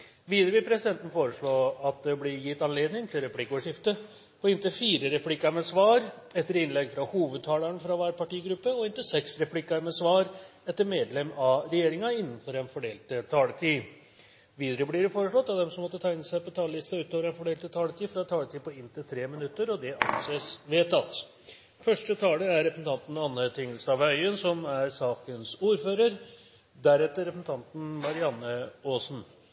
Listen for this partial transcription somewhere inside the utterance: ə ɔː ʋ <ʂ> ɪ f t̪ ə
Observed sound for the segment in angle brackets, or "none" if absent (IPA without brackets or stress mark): ʂ